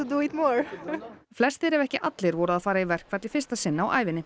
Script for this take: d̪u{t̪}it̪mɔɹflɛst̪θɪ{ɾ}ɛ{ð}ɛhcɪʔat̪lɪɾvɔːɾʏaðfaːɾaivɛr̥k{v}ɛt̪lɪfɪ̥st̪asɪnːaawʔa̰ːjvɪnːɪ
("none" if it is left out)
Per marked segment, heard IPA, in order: none, ɾ, v, v

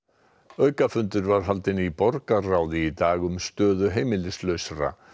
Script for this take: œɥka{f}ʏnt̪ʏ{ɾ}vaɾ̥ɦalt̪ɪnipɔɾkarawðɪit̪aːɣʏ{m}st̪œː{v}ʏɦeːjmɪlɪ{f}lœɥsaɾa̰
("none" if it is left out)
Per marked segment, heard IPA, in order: f, ɾ, m, ð, s

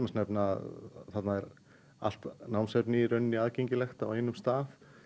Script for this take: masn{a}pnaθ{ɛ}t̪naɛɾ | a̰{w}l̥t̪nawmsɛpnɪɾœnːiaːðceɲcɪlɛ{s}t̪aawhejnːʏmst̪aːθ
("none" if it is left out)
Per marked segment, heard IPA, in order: ɛ, a, none, x

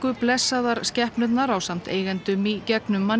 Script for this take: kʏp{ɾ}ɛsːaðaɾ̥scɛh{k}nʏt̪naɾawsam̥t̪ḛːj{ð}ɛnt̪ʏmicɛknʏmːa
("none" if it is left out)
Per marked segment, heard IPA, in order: l, p, ɣ

